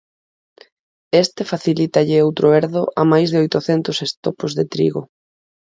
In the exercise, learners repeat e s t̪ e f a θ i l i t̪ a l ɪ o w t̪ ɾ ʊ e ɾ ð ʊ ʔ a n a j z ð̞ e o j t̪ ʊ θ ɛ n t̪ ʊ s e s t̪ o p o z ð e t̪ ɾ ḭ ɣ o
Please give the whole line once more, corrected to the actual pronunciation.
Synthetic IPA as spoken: e s t̪ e f a θ i l i t̪ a ʎ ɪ o w t̪ ɾ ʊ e ɾ ð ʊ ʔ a m a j z ð̞ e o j t̪ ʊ θ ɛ n t̪ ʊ s e s t̪ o p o z ð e t̪ ɾ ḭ ɣ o